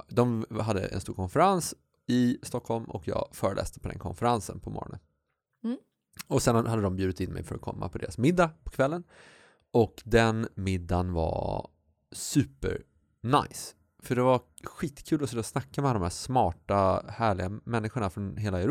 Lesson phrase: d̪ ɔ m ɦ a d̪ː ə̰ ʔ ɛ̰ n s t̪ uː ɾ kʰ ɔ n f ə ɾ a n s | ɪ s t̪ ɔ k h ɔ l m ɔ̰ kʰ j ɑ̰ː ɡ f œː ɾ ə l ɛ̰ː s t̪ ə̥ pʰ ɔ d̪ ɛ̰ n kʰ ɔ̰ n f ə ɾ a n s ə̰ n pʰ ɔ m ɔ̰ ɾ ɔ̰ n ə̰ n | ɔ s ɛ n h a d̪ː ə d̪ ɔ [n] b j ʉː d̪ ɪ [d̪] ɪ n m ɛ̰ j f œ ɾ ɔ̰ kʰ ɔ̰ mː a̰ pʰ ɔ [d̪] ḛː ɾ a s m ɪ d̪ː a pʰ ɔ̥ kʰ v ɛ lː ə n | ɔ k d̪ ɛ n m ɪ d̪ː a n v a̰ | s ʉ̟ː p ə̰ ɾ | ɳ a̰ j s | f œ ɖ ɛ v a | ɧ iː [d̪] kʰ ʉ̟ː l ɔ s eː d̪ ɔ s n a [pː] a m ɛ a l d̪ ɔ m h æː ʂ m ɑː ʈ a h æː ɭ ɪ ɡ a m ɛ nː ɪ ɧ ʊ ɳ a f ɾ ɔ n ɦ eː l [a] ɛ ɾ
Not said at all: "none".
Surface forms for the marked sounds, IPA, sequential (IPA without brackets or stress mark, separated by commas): m, t̪, d̪, t̪, kː, a